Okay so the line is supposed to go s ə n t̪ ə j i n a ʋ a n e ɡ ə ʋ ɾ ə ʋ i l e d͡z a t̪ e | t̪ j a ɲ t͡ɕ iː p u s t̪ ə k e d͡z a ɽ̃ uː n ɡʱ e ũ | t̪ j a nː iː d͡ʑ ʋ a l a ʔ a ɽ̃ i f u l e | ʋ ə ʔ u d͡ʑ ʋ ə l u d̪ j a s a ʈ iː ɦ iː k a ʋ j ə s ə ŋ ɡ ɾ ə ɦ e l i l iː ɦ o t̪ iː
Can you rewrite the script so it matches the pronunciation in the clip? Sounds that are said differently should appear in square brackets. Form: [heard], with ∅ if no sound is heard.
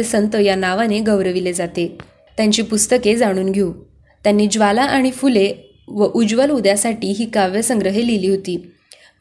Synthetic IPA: s ə n t̪ ə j [a] n a ʋ a n e ɡ ə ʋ ɾ ə ʋ i l e d͡z a t̪ e | t̪ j a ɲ t͡ɕ iː p u s t̪ ə k e d͡z a ɽ̃ uː n ɡʱ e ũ | t̪ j a nː iː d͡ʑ ʋ a l a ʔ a ɽ̃ i f u l e | ʋ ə ʔ u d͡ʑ ʋ ə l u d̪ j a s a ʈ iː ɦ iː k a ʋ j ə s ə ŋ ɡ ɾ ə ɦ e l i l iː ɦ o t̪ iː